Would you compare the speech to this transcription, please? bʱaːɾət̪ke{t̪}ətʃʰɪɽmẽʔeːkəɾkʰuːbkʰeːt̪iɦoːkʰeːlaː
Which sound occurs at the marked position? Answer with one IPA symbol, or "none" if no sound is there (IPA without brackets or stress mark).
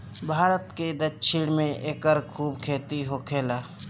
d̪